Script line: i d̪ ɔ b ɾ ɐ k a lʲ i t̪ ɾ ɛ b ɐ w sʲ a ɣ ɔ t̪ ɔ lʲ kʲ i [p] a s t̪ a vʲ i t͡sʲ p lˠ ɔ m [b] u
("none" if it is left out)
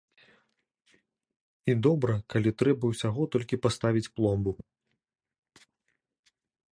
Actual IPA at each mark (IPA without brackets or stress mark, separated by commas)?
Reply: p, b